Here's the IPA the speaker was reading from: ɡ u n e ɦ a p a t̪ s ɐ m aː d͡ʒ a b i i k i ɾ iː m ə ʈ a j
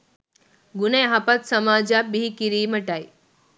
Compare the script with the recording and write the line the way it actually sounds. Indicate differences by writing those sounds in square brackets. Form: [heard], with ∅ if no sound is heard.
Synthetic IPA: ɡ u n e ɦ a p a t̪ s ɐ m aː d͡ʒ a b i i k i ɾ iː m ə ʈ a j